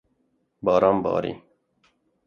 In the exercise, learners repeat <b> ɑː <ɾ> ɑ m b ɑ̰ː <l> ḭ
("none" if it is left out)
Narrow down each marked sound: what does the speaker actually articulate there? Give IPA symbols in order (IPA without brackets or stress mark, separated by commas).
b, ɾ, ɾ